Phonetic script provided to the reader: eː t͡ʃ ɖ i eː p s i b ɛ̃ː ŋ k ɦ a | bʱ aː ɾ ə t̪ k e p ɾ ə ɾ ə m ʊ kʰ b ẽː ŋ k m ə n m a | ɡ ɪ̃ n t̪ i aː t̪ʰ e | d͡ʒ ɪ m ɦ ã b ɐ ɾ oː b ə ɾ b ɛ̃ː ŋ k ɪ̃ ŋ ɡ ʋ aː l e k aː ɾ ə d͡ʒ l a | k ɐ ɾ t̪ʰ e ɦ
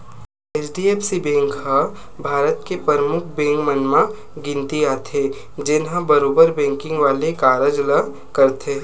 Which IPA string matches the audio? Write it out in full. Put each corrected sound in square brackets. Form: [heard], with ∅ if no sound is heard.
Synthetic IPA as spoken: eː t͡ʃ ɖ i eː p s i b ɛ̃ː ŋ k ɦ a | bʱ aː ɾ ə t̪ k e p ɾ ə ɾ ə m ʊ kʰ b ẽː ŋ k m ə n m a | ɡ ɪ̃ n t̪ i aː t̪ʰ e | d͡ʒ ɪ [n] ɦ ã b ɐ ɾ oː b ə ɾ b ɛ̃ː ŋ k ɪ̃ ŋ ɡ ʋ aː l e k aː ɾ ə d͡ʒ l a | k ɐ ɾ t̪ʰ e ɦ